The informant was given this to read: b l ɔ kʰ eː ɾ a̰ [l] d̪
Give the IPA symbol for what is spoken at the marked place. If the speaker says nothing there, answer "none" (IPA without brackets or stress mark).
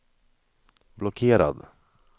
none